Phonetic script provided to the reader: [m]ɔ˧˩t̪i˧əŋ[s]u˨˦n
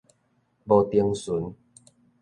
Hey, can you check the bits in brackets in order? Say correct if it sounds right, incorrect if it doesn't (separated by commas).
incorrect, correct